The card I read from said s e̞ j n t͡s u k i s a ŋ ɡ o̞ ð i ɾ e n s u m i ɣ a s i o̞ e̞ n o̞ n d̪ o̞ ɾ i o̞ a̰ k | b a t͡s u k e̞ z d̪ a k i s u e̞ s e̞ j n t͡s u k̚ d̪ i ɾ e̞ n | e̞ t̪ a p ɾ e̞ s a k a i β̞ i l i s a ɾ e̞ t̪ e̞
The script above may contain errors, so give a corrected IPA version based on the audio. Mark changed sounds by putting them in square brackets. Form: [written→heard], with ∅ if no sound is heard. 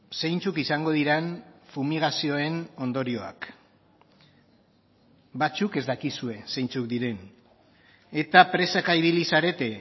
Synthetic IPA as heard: s e̞ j n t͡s u k i s a ŋ ɡ o̞ ð i ɾ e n [s→f] u m i ɣ a s i o̞ e̞ n o̞ n d̪ o̞ ɾ i o̞ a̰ k | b a t͡s u k e̞ z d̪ a k i s u e̞ s e̞ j n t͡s u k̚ d̪ i ɾ e̞ n | e̞ t̪ a p ɾ e̞ s a k a i β̞ i l i s a ɾ e̞ t̪ e̞

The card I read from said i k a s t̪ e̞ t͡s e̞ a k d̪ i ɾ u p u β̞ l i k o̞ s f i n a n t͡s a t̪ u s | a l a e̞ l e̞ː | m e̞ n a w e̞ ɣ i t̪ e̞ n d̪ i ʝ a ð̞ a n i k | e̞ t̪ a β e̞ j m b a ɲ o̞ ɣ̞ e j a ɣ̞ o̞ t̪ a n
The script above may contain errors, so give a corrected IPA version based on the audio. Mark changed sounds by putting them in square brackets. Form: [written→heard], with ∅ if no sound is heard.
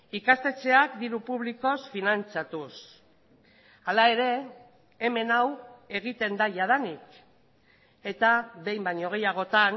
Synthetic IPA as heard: i k a s t̪ e̞ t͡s e̞ a k d̪ i ɾ u p u β̞ l i k o̞ s f i n a n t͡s a t̪ u s | a l a e̞ [l→ɾ] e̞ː | m e̞ n a w e̞ ɣ i t̪ e̞ n d̪ [i→a] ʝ a ð̞ a n i k | e̞ t̪ a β e̞ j m b a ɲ o̞ ɣ̞ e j a ɣ̞ o̞ t̪ a n

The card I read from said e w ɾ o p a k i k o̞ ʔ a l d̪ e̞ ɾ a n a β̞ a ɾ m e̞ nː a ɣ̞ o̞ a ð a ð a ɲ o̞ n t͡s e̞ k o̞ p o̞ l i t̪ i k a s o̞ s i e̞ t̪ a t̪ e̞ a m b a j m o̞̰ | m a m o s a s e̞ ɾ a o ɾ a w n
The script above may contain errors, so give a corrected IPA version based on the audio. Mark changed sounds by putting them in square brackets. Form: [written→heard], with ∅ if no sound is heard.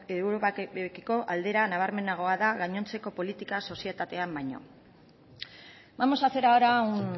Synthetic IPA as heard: e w ɾ o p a k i k o̞ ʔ a l d̪ e̞ ɾ a n a β̞ a ɾ m e̞ [nː→n] a ɣ̞ o̞ a ð a [ð→ɣ] a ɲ o̞ n t͡s e̞ k o̞ p o̞ l i t̪ i k a s o̞ s i e̞ t̪ a t̪ e̞ a m b a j [m→ɲ] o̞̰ | m a m o s a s e̞ ɾ a o ɾ a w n

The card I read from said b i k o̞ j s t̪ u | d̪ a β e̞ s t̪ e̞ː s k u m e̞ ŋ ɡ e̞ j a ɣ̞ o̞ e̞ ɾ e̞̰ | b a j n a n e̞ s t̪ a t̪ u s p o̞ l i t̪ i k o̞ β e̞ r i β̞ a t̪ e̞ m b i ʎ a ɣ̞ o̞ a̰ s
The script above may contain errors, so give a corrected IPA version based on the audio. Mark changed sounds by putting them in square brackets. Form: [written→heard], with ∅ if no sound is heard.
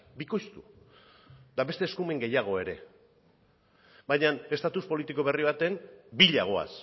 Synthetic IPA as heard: b i k o̞ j s t̪ u | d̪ a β e̞ s t̪ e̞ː s k u m e̞ ŋ ɡ e̞ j a ɣ̞ o̞ e̞ ɾ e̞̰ | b a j [n→ɲ] a n e̞ s t̪ a t̪ u s p o̞ l i t̪ i k o̞ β e̞ r i β̞ a t̪ e̞ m b i ʎ a ɣ̞ o̞ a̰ s

